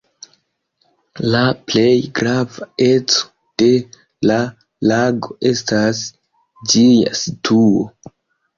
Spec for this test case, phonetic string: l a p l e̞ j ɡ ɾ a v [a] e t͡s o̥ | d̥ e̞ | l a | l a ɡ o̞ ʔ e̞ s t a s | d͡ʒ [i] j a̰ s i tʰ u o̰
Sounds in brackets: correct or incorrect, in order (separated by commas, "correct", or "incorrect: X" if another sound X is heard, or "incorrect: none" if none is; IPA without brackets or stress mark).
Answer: correct, correct